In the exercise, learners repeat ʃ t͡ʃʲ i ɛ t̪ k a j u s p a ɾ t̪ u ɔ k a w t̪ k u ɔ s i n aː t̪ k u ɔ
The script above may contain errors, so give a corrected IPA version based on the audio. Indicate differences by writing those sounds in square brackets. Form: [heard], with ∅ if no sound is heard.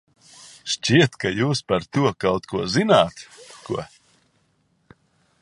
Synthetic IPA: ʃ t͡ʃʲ i ɛ t̪ k a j [uː] s p a ɾ t̪ u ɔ k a w t̪ k u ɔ [z] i n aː t̪ k u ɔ